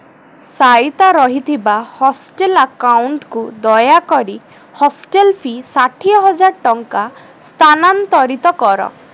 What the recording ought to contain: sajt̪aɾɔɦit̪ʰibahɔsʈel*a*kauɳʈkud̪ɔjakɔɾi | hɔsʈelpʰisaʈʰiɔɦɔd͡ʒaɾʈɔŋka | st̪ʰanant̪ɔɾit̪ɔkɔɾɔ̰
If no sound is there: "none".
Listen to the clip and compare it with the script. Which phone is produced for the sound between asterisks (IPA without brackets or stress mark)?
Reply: a